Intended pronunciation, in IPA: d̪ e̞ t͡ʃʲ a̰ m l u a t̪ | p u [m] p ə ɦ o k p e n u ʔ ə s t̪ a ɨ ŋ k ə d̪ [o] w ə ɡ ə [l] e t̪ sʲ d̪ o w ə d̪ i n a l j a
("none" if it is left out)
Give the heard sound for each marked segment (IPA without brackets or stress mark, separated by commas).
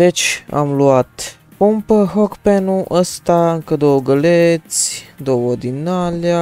m, o, l